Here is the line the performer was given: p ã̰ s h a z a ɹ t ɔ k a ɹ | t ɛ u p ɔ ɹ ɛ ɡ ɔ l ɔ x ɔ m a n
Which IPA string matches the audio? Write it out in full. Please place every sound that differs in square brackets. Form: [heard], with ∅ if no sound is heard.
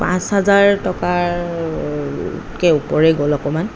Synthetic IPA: p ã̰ s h a z a ɹ t ɔ k a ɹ | [k] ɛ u p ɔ ɹ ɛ ɡ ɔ l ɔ [k] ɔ m a n